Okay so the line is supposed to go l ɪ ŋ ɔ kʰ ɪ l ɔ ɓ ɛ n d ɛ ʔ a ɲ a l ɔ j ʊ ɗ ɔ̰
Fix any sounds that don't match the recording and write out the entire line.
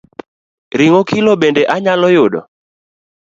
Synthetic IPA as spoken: ɾ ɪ ŋ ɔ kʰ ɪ l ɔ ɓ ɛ n d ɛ ʔ a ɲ a l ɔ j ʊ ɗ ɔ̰